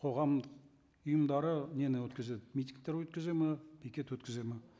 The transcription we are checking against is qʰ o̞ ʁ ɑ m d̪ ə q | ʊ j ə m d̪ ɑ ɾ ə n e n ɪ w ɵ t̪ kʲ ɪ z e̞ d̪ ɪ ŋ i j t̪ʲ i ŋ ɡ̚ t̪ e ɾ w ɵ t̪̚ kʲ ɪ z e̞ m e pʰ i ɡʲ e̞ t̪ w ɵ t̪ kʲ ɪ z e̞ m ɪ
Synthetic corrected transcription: qʰ o̞ ʁ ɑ m d̪ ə q | ʊ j ə m d̪ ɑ ɾ ə n e n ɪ w ɵ t̪ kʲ ɪ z e̞ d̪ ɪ m i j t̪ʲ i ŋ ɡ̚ t̪ e ɾ w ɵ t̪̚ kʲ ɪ z e̞ m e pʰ i kʲ e̞ t̪ w ɵ t̪ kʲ ɪ z e̞ m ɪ